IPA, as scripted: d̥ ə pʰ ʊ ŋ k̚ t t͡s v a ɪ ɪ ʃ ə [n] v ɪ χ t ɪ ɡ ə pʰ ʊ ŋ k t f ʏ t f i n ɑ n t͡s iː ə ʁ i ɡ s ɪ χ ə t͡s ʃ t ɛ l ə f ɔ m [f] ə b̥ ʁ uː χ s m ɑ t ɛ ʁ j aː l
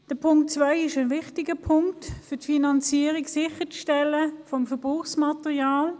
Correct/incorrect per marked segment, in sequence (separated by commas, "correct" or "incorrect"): correct, correct